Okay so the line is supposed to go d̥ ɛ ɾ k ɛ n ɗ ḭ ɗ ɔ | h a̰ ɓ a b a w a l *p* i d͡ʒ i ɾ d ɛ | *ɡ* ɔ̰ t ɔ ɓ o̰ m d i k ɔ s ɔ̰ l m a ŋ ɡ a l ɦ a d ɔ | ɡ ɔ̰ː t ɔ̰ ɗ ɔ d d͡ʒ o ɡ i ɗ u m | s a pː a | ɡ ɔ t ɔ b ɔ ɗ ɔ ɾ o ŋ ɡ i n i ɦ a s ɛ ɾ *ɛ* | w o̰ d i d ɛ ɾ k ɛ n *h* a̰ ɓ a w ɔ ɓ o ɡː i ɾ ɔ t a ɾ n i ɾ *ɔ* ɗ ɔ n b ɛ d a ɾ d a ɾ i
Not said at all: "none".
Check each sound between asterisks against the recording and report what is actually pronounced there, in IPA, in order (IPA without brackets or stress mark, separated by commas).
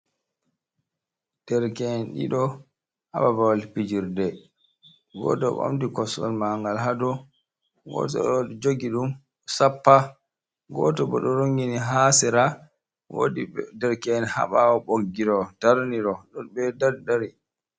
p, ɡ, a, h, ɔ